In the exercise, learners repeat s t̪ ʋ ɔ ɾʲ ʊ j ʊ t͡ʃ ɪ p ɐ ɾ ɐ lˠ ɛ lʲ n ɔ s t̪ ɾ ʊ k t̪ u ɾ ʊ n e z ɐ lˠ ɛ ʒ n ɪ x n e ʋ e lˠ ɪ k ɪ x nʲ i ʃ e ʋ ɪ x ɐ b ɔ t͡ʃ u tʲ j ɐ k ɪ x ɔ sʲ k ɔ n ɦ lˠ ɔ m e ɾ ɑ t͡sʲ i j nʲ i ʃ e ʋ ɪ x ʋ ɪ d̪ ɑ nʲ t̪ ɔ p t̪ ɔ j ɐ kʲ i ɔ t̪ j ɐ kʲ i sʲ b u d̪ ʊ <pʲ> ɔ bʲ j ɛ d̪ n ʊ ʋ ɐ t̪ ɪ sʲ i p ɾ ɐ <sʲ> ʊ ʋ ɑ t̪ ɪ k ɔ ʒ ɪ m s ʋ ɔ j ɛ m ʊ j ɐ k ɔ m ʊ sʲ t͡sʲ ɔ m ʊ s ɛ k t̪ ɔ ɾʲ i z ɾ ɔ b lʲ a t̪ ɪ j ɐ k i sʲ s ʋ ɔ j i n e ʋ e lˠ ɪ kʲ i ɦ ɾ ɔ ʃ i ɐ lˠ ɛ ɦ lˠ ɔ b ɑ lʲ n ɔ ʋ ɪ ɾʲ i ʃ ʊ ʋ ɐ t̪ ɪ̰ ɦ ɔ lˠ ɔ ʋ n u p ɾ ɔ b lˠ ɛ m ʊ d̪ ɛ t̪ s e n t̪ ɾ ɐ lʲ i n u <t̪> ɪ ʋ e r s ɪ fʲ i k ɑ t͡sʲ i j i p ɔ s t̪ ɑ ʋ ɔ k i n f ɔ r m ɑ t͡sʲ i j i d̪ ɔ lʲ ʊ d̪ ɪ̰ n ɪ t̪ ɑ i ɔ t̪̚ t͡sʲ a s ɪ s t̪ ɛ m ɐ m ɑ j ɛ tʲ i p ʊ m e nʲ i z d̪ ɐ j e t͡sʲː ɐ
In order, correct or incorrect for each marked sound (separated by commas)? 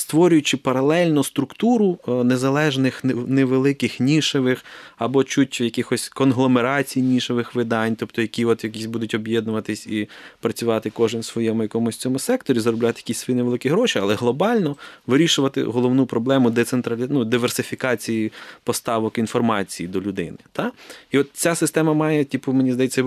incorrect, incorrect, incorrect